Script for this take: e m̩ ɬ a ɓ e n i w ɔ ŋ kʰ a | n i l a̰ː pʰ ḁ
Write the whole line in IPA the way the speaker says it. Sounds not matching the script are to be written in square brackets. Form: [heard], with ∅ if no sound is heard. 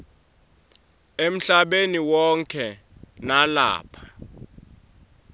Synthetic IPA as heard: e m̩ ɬ a ɓ e n i w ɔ ŋ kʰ [ɛ] | n [a] l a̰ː pʰ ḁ